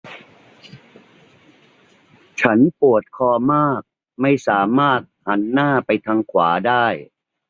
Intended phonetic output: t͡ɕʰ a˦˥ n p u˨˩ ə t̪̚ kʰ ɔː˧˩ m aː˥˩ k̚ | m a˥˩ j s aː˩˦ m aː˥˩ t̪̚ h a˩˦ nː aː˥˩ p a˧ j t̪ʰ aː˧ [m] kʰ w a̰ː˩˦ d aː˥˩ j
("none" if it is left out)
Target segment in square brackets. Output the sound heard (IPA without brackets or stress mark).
ŋ